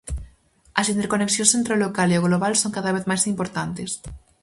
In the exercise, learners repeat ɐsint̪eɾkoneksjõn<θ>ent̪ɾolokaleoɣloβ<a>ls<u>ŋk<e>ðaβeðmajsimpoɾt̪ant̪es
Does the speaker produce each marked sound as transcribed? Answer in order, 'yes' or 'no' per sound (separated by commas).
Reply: no, yes, no, no